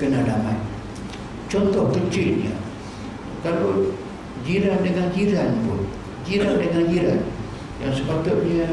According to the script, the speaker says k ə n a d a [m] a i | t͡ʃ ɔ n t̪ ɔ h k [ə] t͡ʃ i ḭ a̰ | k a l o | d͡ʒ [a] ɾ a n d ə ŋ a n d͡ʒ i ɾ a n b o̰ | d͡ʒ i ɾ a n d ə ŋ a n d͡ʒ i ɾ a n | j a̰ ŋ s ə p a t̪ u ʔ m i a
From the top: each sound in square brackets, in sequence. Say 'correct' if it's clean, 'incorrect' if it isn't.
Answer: correct, correct, incorrect: i

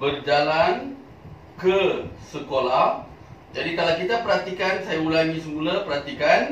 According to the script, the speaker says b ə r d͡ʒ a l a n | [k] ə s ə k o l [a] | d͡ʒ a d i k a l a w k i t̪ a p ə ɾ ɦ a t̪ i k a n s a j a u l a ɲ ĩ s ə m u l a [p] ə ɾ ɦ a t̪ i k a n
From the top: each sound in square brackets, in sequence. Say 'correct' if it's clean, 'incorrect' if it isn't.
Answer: correct, correct, correct

